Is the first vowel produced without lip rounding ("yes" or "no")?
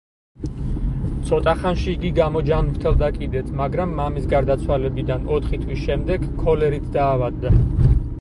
no